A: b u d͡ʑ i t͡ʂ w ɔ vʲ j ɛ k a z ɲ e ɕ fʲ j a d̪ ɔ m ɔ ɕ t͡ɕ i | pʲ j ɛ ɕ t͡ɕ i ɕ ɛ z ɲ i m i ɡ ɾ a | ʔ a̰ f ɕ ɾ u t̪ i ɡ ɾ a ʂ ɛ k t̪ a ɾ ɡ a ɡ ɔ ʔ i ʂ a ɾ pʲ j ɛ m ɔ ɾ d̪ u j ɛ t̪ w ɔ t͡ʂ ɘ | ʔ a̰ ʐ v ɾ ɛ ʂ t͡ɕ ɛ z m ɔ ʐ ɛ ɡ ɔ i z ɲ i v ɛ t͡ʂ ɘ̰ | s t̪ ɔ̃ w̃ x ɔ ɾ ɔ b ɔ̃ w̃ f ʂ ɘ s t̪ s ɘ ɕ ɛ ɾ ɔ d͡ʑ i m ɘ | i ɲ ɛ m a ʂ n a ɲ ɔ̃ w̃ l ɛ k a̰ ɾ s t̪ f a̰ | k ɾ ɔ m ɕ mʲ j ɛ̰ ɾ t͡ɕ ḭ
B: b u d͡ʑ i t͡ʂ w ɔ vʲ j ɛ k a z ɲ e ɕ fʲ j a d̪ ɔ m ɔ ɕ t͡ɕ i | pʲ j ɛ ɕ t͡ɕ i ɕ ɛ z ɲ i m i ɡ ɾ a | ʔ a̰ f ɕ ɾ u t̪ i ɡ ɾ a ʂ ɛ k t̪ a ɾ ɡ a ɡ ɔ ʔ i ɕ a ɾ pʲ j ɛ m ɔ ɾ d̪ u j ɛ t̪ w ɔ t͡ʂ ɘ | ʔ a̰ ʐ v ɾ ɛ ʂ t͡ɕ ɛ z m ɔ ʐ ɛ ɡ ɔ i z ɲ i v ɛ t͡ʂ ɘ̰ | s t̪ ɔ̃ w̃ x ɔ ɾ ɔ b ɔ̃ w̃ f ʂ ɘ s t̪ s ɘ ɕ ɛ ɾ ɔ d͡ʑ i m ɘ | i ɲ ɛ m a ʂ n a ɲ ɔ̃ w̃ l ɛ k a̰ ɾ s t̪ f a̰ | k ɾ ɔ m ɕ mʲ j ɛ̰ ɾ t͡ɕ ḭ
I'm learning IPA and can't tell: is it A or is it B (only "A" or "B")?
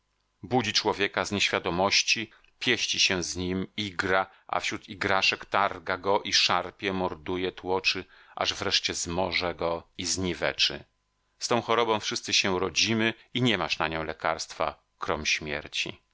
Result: A